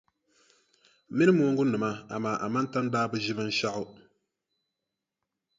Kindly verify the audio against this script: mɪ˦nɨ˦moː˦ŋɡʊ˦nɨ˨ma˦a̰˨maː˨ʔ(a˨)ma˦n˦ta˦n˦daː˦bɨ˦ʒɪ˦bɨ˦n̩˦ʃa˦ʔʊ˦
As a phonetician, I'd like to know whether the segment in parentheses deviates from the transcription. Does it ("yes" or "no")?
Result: no